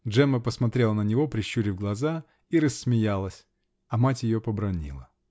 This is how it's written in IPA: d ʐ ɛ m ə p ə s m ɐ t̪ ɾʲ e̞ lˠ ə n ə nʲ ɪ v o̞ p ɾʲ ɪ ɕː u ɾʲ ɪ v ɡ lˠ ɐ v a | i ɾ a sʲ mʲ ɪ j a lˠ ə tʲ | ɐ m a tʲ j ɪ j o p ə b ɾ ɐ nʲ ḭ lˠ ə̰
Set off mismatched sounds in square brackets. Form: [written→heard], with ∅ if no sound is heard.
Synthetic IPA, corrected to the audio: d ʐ ɛ m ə p ə s m ɐ t̪ ɾʲ e̞ lˠ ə n ə nʲ ɪ v o̞ p ɾʲ ɪ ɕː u ɾʲ ɪ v ɡ lˠ ɐ [v→z] a | i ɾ [a→ə] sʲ mʲ ɪ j a lˠ ə [tʲ→sʲ] | ɐ m a tʲ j ɪ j o p ə b ɾ ɐ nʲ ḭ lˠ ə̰